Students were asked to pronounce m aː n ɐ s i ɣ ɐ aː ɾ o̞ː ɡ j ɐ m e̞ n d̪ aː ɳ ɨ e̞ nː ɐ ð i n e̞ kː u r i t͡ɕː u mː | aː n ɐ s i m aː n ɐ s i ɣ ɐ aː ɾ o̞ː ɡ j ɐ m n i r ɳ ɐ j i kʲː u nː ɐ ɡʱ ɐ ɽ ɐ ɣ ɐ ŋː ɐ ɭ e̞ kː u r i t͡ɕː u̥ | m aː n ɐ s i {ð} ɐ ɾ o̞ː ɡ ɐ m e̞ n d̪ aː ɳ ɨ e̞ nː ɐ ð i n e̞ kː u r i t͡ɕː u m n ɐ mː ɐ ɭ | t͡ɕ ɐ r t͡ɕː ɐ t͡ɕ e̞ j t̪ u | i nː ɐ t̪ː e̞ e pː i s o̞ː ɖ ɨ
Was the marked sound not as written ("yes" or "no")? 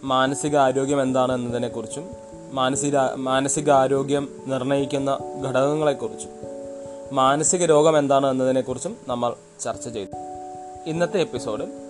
yes